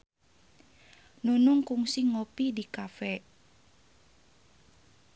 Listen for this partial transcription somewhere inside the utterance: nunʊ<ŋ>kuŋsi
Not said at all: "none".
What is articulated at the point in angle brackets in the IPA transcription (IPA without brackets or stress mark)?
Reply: ŋ